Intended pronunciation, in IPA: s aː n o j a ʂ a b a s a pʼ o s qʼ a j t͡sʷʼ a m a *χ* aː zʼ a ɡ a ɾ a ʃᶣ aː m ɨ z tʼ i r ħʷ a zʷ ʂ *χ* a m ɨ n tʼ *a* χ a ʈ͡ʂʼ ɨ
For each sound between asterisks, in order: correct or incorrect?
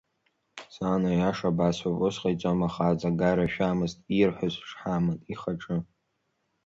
correct, incorrect: ħ, incorrect: i

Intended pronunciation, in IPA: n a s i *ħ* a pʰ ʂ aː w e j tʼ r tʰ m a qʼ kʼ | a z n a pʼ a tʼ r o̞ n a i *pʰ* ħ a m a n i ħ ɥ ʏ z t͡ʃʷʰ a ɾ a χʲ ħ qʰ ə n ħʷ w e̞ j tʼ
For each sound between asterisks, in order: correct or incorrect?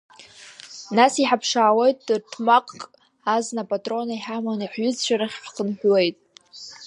correct, incorrect: none

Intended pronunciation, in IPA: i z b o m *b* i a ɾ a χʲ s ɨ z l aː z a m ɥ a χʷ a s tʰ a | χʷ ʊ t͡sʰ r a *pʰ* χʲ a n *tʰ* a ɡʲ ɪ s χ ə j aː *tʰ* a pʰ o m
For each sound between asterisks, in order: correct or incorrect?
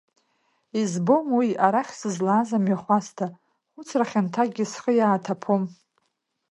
incorrect: w, incorrect: none, correct, correct

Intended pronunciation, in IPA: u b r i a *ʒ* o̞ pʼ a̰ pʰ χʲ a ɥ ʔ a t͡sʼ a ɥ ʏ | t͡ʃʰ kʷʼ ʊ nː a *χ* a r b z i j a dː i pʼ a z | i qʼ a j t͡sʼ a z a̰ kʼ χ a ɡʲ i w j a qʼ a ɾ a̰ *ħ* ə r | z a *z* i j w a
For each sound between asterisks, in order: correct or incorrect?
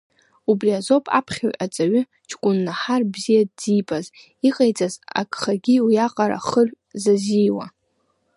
incorrect: z, incorrect: ħ, incorrect: χ, correct

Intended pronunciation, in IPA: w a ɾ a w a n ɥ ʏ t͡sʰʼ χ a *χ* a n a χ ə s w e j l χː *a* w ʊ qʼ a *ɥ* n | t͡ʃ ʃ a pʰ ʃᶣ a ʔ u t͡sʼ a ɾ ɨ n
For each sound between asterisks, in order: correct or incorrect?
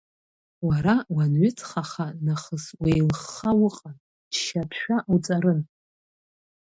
correct, correct, incorrect: none

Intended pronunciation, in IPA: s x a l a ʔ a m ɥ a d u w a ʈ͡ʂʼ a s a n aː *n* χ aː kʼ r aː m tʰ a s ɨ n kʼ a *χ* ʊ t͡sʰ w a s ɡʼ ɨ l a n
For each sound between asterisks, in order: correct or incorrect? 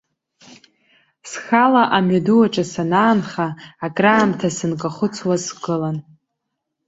correct, correct

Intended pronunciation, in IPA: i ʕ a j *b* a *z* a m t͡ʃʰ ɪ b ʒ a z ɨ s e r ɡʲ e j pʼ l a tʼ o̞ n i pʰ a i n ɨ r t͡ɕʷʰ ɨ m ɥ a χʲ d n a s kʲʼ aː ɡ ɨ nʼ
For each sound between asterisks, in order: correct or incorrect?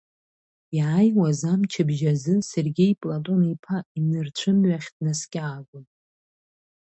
incorrect: w, correct

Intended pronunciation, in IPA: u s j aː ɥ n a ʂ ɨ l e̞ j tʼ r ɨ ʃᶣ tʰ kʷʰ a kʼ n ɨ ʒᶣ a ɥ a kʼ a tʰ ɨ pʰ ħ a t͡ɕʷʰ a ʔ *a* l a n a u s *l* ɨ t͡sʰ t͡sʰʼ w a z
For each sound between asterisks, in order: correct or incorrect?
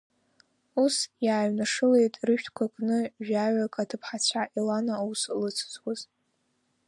incorrect: i, correct

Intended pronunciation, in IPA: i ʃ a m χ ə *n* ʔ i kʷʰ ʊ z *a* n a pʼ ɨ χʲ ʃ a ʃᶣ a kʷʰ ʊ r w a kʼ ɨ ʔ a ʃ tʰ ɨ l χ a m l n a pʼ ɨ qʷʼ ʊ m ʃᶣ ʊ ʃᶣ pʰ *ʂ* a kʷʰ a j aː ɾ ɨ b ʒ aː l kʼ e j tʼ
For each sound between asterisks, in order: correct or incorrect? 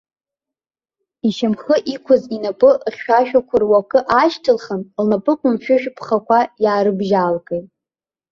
incorrect: none, incorrect: i, incorrect: χ

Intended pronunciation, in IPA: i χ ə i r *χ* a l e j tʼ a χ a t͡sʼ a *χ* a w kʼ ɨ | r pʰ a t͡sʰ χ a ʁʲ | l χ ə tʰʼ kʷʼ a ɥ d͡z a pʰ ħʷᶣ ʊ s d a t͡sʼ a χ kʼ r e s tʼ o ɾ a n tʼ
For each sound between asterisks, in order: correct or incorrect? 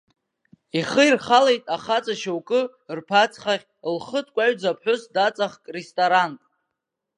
correct, incorrect: ʃ

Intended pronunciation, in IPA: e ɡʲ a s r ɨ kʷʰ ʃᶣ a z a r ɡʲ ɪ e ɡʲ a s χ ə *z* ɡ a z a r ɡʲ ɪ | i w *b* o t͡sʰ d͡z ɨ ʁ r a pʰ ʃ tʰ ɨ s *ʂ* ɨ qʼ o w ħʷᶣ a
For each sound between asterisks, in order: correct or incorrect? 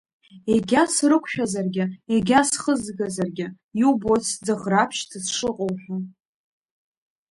correct, correct, correct

